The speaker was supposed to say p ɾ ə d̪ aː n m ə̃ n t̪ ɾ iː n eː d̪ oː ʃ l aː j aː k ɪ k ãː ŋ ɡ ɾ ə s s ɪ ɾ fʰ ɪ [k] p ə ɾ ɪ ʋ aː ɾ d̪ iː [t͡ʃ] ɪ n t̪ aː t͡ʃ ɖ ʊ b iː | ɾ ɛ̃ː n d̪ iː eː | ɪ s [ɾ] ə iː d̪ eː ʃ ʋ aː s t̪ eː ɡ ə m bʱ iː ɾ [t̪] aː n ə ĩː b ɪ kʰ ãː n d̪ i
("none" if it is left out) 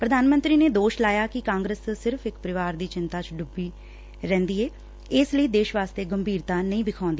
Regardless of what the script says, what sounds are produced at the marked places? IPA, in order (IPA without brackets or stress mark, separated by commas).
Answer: k, t͡ʃ, l, t̪